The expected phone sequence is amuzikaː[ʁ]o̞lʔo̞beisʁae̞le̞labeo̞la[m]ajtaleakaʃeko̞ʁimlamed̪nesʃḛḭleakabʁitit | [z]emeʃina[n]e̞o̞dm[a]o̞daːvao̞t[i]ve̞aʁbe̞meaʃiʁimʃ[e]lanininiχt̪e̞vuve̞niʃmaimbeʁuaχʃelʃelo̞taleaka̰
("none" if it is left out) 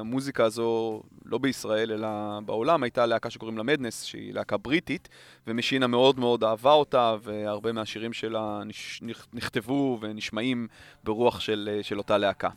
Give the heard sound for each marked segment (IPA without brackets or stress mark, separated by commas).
z, m, v, m, e, a, e